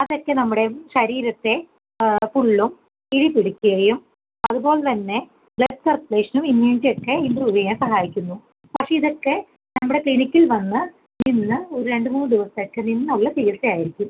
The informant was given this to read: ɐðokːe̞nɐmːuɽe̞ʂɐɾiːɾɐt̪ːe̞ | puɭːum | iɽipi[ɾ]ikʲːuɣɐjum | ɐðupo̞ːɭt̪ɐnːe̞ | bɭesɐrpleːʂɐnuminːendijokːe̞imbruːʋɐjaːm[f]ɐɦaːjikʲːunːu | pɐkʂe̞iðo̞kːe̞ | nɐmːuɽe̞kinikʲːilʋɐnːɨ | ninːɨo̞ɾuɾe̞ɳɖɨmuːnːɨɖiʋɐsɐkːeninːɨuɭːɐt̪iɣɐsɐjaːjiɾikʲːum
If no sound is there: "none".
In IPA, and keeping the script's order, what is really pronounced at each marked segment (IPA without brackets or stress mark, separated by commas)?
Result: ɽ, s